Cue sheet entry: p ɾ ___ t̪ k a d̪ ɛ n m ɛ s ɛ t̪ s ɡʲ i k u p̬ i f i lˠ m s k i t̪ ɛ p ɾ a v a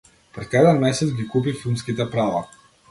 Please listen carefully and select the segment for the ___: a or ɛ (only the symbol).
ɛ